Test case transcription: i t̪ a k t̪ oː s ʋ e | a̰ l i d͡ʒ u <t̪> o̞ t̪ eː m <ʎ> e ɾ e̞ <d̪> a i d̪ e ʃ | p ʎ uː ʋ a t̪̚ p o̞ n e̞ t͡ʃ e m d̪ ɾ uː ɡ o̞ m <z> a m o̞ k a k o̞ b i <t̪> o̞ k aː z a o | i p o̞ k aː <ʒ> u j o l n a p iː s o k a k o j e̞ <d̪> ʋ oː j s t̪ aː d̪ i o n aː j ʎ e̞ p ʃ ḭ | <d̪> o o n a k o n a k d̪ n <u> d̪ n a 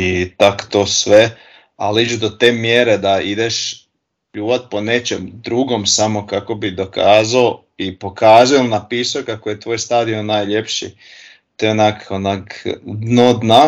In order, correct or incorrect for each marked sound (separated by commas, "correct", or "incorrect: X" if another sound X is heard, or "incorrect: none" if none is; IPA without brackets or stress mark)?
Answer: incorrect: d̪, incorrect: j, correct, incorrect: s, incorrect: d̪, incorrect: z, incorrect: t̪, incorrect: t̪, incorrect: o